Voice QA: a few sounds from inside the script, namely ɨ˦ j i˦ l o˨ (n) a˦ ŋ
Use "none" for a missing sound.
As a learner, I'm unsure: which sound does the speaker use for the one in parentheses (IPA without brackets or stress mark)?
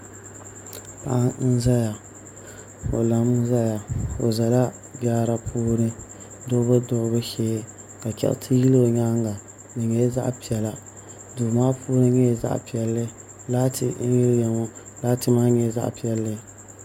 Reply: ɲ